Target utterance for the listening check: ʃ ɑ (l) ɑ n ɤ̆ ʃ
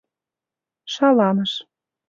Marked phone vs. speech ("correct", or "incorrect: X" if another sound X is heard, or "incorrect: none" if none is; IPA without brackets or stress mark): correct